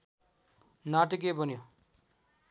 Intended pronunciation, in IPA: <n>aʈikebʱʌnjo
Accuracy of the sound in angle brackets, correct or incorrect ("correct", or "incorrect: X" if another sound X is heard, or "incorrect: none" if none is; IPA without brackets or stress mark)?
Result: correct